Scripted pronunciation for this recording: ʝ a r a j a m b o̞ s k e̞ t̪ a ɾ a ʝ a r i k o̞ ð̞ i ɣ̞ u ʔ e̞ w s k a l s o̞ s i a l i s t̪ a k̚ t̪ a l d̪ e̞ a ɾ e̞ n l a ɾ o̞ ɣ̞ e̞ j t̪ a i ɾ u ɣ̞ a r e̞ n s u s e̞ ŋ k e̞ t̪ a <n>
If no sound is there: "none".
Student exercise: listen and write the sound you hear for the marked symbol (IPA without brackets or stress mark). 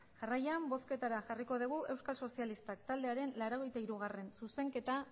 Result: none